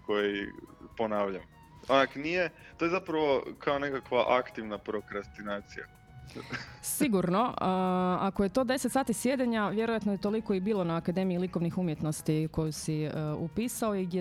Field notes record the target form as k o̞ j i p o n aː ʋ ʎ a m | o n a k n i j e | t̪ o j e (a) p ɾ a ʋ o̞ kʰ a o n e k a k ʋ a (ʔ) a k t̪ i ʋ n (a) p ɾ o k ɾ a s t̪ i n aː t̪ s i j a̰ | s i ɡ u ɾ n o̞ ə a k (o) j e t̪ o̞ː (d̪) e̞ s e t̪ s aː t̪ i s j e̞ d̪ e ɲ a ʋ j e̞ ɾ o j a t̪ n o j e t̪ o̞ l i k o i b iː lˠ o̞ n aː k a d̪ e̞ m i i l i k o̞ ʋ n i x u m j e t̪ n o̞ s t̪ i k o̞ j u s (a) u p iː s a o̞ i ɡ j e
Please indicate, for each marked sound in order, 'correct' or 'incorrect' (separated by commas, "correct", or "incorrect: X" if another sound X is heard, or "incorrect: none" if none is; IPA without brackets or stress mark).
correct, correct, correct, correct, correct, incorrect: i